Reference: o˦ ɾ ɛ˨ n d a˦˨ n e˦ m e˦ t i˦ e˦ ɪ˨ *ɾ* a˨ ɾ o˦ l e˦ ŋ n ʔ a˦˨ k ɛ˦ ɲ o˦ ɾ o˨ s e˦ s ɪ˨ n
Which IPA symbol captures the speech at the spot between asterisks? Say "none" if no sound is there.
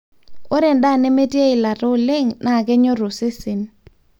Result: l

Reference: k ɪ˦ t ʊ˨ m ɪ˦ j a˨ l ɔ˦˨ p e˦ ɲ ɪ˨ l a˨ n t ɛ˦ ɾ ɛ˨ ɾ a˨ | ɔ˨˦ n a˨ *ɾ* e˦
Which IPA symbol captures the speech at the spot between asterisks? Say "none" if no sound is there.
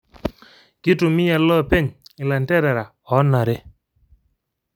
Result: ɾ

